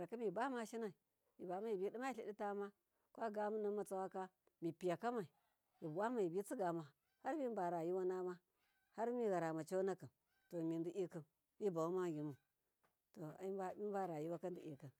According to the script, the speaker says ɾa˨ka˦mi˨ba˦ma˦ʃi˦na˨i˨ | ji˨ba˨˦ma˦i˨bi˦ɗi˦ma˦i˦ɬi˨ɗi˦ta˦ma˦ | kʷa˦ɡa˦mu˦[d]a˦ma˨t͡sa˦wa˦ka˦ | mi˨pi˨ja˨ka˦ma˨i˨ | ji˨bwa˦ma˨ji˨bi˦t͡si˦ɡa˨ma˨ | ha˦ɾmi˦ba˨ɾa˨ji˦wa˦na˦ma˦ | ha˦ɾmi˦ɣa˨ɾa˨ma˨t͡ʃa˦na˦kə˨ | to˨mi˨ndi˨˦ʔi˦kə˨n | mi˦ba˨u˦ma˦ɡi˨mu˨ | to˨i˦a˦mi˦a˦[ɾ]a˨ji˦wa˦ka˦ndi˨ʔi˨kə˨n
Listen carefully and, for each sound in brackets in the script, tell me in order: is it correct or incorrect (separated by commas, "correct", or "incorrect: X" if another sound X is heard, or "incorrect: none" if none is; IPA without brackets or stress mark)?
incorrect: n, correct